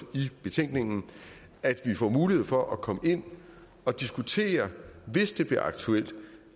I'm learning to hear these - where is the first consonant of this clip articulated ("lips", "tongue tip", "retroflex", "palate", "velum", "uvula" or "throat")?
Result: lips